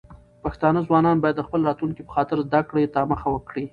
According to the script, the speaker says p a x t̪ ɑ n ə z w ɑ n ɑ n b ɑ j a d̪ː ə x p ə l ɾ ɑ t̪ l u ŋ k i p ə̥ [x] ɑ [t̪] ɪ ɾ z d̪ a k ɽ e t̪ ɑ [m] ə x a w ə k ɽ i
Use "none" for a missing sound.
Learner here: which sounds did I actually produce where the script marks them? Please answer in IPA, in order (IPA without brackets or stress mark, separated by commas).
x, t̪, m